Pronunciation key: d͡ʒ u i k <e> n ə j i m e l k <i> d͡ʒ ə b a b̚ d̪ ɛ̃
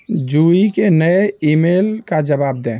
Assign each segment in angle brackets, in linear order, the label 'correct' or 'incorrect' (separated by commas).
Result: correct, incorrect